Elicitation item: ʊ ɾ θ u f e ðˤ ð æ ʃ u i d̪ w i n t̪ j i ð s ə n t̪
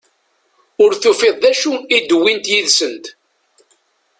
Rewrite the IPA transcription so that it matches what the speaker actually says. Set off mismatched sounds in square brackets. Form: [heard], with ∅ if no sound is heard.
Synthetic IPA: ʊ ɾ θ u f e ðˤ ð æ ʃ u i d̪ w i n t̪ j i ð s ə n t̪